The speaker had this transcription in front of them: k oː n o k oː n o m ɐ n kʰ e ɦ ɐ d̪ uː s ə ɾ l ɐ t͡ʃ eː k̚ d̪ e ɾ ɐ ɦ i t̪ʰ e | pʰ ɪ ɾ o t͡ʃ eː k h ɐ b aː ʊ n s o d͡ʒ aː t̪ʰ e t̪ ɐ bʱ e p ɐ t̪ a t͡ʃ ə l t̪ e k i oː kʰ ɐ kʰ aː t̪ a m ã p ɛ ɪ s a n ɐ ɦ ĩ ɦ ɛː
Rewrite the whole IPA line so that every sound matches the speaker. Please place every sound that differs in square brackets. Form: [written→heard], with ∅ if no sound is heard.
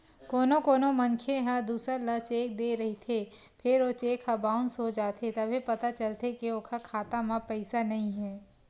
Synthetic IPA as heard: k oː n o k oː n o m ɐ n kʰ e ɦ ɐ d̪ uː s ə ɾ l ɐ t͡ʃ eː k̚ d̪ e ɾ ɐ ɦ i t̪ʰ e | pʰ ɪ ɾ o t͡ʃ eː k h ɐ b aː ʊ n s o d͡ʒ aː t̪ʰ e t̪ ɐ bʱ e p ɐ t̪ a t͡ʃ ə l t̪ e k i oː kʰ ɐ kʰ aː t̪ a m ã p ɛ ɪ s a n ɐ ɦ ĩ ɦ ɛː

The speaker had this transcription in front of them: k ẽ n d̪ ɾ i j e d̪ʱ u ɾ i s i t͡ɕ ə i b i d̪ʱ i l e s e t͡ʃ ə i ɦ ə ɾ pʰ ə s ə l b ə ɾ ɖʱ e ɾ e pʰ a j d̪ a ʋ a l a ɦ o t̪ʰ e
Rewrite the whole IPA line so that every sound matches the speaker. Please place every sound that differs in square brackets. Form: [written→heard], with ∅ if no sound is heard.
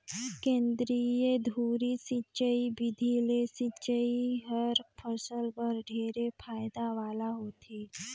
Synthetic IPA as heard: k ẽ n d̪ ɾ i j e d̪ʱ u ɾ i s i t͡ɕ ə i b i d̪ʱ i l e s [e→i] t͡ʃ ə i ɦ ə ɾ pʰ ə s ə l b ə ɾ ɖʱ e ɾ e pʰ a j d̪ a ʋ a l a ɦ o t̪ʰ e

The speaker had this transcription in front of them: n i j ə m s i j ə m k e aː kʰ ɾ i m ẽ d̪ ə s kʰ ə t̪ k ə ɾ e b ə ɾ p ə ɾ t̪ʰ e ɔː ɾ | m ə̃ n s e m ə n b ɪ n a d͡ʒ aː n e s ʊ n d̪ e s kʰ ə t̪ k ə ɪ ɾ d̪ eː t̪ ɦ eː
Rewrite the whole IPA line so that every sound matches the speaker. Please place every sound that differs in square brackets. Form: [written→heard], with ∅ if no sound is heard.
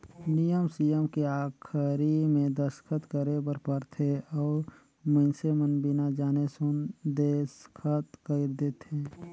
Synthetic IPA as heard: n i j ə m s i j ə m k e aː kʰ ɾ i m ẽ d̪ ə s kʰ ə t̪ k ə ɾ e b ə ɾ p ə ɾ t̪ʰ e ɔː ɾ | m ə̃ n s e m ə n b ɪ n a d͡ʒ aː n e s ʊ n d̪ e s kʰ ə t̪ k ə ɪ ɾ d̪ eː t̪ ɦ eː

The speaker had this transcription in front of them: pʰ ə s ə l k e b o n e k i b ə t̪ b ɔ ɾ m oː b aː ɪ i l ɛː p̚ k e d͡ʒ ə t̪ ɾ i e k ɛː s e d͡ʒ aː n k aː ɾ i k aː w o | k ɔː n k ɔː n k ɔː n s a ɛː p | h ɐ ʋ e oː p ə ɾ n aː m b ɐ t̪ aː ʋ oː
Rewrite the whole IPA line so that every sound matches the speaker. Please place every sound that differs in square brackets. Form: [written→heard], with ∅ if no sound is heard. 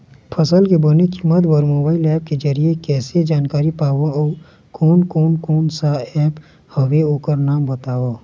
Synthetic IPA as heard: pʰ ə s ə l k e b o n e k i [b→m] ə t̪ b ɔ ɾ m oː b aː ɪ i l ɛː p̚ k e d͡ʒ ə [t̪→∅] ɾ i e k ɛː s e d͡ʒ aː n k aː ɾ i [k→p] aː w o | k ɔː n k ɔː n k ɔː n s a ɛː p | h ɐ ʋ e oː [p→k] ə ɾ n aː m b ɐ t̪ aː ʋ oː

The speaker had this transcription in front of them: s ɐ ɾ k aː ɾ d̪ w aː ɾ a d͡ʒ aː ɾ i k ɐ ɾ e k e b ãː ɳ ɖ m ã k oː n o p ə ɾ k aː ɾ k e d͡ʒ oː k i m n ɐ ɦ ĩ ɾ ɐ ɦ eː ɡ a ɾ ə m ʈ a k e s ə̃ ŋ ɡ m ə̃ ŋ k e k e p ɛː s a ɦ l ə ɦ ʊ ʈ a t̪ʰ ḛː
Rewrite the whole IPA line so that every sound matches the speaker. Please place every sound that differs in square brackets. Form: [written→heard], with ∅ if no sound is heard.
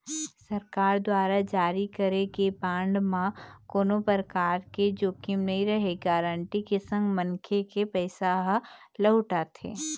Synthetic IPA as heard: s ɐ ɾ k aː ɾ d̪ w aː ɾ a d͡ʒ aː ɾ i k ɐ ɾ e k e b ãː ɳ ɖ m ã k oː n o p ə ɾ k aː ɾ k e d͡ʒ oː k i m n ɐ ɦ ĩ ɾ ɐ ɦ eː ɡ a ɾ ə [m→ɳ] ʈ [a→i] k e s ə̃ ŋ ɡ m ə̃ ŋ [k→kʰ] e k e p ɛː s a ɦ l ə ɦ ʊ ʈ a t̪ʰ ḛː

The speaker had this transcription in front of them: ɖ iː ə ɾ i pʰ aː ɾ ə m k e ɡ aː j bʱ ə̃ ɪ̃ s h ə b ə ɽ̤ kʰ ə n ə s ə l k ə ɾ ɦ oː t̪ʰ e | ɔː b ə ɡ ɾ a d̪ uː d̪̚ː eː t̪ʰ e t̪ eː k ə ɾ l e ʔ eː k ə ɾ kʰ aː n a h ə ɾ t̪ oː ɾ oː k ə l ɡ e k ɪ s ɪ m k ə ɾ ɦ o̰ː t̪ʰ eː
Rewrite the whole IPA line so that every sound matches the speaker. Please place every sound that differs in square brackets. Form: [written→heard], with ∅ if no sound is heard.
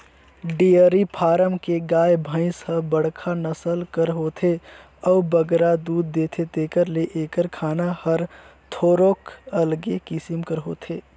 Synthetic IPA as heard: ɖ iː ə ɾ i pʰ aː ɾ ə m k e ɡ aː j bʱ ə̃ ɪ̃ s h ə b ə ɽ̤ kʰ [ə→a] n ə s ə l k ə ɾ ɦ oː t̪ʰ e | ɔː b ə ɡ ɾ a d̪ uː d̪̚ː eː t̪ʰ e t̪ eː k ə ɾ l e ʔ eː k ə ɾ kʰ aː n a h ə ɾ [t̪→t̪ʰ] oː ɾ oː k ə l ɡ e k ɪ s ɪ m k ə ɾ ɦ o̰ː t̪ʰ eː

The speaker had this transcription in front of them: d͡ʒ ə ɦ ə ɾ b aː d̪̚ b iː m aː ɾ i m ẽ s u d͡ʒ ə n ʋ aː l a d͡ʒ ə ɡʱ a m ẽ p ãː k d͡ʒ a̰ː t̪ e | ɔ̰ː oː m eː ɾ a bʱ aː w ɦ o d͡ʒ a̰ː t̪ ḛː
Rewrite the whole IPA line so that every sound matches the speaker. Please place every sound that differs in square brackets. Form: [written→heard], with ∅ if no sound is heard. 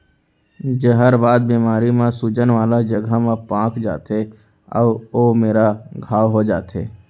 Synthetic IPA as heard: d͡ʒ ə ɦ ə ɾ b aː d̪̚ b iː m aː ɾ i m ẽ s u d͡ʒ ə n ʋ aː l a d͡ʒ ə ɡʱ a m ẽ p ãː k d͡ʒ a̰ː t̪ e | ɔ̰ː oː m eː ɾ a [bʱ→ɡʱ] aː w ɦ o d͡ʒ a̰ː t̪ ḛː

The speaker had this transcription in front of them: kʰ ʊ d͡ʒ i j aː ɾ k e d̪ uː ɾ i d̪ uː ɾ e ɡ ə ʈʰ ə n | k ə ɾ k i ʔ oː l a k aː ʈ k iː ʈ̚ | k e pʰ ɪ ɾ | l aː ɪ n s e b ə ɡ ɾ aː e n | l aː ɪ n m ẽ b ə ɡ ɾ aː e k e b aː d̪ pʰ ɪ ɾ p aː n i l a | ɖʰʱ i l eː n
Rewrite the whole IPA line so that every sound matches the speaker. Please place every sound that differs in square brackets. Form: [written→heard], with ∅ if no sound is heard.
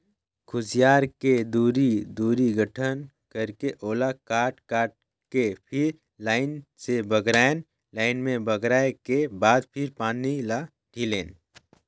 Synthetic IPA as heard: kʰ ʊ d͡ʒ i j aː ɾ k e d̪ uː ɾ i d̪ uː ɾ [e→i] ɡ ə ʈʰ ə n | k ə ɾ k [i→e] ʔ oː l a k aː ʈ k [iː→aː] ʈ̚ | k e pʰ ɪ ɾ | l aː ɪ n s e b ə ɡ ɾ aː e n | l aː ɪ n m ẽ b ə ɡ ɾ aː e k e b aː d̪ pʰ ɪ ɾ p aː n i l a | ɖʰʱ i l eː n

